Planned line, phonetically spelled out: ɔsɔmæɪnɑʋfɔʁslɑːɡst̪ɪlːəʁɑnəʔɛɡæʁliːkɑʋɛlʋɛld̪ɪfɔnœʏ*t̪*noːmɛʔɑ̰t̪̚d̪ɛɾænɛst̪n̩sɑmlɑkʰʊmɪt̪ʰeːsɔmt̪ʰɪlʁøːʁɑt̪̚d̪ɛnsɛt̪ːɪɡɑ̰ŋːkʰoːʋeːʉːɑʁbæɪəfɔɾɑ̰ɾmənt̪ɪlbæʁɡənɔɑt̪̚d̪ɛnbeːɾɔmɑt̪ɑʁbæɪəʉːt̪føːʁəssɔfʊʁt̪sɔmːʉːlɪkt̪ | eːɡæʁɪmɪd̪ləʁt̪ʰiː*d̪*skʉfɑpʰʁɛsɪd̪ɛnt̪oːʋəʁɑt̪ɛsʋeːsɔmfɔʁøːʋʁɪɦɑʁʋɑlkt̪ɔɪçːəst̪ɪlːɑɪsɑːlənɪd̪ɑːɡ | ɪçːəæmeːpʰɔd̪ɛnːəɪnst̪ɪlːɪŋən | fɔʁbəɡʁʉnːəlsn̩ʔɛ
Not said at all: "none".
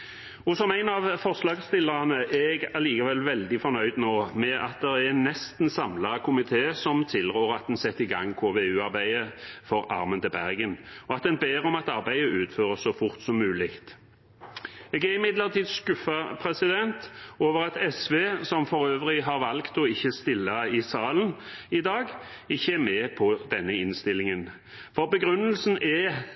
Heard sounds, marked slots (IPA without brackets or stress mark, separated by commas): d̪, d̪